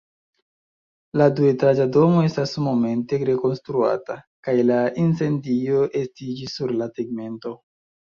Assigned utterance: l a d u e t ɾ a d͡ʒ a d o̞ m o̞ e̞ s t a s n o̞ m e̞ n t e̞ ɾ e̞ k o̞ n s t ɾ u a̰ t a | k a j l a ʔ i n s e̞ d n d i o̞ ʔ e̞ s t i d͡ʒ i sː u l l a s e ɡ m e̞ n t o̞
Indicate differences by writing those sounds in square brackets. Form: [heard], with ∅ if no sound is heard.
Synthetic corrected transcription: l a d u e t ɾ a d͡ʒ a d o̞ m o̞ e̞ s t a s [m] o̞ m e̞ n t e̞ ɾ e̞ k o̞ n s t ɾ u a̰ t a | k a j l a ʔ i n s e̞ [∅] n d i o̞ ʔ e̞ s t i d͡ʒ i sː u [ɾ] l a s e ɡ m e̞ n t o̞